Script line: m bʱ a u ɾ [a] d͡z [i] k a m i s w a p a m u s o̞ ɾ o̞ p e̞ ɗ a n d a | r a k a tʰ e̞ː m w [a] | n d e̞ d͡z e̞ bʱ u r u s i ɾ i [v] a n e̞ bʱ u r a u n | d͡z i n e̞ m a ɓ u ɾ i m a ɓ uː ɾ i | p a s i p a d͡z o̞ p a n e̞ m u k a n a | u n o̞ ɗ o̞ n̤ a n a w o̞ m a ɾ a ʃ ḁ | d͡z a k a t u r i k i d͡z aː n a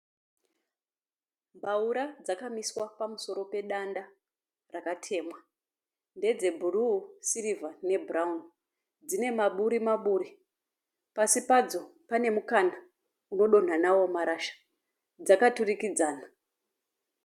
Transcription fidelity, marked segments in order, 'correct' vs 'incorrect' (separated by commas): correct, incorrect, correct, correct